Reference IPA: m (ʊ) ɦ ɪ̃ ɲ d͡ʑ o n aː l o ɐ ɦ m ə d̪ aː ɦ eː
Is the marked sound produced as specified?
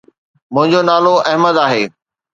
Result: no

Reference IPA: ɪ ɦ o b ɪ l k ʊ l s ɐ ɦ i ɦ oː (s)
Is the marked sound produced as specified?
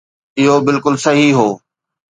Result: no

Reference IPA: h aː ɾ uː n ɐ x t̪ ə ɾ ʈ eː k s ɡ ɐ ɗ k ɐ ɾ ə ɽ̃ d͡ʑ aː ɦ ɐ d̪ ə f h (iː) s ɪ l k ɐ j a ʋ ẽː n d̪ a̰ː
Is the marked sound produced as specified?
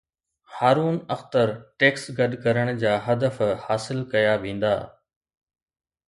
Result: no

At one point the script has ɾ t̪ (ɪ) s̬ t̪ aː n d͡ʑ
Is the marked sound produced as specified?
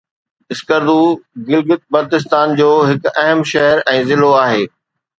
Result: yes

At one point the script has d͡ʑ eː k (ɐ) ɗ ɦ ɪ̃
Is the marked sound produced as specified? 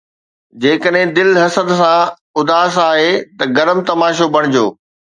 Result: no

